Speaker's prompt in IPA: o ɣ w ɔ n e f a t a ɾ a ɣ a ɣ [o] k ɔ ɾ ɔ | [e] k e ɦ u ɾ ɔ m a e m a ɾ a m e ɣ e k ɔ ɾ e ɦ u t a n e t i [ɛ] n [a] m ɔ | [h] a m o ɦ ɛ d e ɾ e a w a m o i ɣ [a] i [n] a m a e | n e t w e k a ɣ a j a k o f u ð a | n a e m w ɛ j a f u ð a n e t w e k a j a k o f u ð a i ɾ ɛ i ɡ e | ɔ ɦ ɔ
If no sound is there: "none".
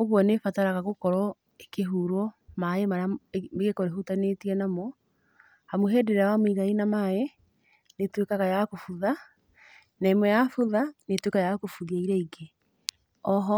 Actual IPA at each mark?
o, e, ɛ, a, h, a, n

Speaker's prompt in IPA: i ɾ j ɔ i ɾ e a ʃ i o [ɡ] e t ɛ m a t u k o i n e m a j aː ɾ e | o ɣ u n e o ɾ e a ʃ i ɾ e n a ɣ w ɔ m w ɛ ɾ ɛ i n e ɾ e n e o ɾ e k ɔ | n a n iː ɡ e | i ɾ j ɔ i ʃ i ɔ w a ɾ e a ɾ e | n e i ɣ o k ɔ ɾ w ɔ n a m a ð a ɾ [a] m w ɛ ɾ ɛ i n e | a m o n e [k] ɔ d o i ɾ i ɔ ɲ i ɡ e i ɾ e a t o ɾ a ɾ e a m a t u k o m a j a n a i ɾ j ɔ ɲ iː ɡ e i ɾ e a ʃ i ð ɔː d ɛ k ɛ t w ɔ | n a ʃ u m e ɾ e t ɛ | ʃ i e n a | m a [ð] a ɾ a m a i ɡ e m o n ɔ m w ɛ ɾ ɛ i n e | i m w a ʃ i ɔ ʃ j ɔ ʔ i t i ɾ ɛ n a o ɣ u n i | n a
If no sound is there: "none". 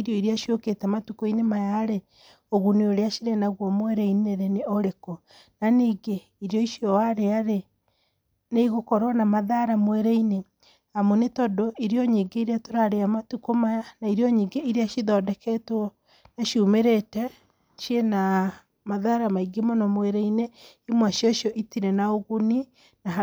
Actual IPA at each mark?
k, a, t, ð

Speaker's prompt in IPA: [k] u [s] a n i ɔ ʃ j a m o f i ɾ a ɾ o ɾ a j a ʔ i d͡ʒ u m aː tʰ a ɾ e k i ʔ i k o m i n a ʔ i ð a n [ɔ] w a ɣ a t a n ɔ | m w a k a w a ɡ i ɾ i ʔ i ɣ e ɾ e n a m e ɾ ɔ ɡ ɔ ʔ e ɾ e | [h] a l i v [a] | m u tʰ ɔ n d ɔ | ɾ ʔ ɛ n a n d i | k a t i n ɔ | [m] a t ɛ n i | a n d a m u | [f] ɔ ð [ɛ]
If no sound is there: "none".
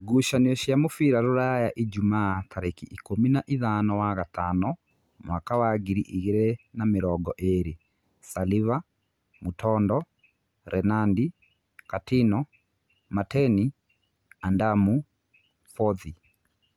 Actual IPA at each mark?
ɡ, ʃ, ɔ, s, a, m, f, i

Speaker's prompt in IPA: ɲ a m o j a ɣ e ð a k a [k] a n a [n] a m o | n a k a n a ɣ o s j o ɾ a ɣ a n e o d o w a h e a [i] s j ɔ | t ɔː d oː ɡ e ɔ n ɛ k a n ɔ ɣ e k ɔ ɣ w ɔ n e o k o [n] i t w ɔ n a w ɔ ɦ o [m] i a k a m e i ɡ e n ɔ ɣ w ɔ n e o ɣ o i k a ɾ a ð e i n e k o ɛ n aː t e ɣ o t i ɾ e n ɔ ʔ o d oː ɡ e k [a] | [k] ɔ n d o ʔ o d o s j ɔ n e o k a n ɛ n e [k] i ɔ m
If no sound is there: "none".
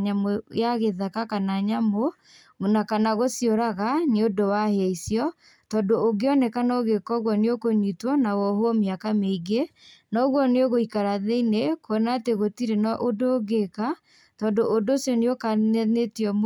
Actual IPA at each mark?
k, ɲ, i, ɲ, m, a, t, t

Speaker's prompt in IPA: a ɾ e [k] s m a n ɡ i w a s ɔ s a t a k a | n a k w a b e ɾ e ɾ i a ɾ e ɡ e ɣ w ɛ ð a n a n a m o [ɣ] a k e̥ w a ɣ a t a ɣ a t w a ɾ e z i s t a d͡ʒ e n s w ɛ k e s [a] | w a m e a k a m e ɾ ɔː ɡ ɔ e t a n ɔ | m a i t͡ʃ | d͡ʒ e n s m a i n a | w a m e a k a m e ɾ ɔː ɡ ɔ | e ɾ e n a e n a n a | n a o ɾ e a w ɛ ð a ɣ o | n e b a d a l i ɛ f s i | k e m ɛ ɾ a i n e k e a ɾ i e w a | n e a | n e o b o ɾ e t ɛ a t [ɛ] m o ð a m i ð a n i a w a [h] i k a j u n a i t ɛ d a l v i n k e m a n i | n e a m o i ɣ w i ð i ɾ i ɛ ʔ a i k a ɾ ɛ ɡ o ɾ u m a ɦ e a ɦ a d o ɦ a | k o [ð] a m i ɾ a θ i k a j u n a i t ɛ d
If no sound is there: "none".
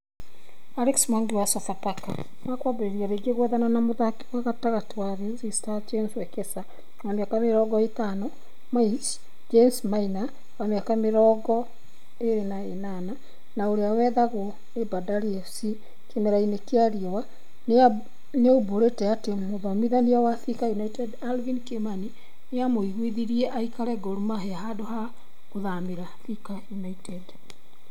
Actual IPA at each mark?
k, ð, a, e, θ, ð

